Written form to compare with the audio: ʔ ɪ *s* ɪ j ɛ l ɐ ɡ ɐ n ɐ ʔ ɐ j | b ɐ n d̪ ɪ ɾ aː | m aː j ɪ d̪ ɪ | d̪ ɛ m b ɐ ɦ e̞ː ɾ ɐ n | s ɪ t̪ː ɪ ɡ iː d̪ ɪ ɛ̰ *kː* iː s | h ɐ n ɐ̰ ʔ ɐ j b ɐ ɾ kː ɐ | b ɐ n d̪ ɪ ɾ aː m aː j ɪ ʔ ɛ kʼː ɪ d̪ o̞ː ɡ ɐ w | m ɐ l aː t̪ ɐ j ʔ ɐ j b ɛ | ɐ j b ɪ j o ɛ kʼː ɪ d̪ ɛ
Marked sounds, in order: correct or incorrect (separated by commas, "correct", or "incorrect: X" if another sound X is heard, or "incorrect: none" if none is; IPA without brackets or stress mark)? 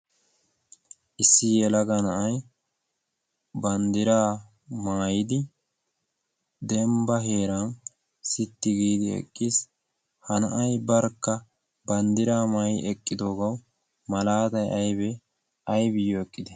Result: incorrect: sː, incorrect: kʼː